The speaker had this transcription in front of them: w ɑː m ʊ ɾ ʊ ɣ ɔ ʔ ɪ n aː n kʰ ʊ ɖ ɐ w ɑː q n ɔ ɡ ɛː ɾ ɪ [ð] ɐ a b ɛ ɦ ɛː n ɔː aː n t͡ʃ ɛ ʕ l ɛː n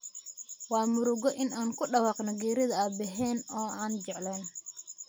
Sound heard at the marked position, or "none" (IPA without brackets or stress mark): ð